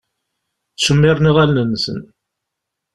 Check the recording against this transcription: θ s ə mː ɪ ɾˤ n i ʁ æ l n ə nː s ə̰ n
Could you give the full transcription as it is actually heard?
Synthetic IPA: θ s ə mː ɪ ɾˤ n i ʁ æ l n ə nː s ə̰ n